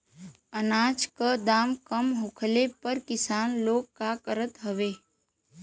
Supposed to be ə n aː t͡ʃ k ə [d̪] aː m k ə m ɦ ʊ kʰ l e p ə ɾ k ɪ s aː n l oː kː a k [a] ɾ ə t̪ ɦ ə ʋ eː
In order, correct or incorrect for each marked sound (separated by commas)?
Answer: correct, incorrect